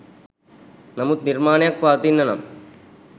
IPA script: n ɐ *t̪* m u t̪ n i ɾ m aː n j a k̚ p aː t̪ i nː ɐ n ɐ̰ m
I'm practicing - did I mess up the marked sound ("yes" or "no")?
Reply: yes